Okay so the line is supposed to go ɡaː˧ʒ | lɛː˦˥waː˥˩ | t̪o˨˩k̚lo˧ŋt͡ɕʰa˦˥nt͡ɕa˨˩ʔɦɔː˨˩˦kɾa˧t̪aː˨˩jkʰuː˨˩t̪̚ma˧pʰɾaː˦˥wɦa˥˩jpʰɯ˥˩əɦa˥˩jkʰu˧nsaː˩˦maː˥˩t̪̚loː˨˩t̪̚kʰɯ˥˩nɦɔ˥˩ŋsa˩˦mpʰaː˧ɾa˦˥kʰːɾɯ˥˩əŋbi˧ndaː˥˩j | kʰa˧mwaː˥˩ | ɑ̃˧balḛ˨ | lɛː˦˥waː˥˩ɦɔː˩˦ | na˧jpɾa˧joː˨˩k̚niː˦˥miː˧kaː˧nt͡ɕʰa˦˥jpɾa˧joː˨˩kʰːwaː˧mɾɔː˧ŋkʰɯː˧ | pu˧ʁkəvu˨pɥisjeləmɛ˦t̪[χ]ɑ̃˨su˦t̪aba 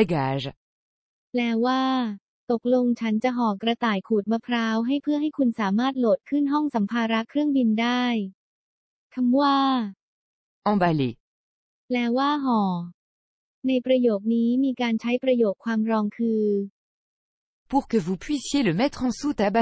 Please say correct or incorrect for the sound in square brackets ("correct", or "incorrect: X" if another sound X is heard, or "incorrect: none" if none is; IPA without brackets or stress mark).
correct